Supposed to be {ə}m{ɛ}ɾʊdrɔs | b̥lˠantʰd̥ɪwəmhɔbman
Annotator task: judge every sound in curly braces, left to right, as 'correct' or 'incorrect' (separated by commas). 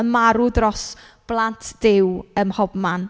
correct, incorrect